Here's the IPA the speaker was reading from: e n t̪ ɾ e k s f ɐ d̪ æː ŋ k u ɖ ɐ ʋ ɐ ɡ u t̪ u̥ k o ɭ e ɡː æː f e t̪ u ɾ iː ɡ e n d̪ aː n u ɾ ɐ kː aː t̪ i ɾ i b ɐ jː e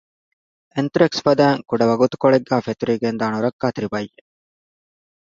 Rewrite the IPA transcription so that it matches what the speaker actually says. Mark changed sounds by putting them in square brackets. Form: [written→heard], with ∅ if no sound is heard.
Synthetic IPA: e n t̪ ɾ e k s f ɐ d̪ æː ŋ k u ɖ ɐ ʋ ɐ ɡ u t̪ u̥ k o ɭ e ɡː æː f e t̪ u ɾ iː ɡ e n d̪ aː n u ɾ ɐ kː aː t̪ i ɾ i b ɐ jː e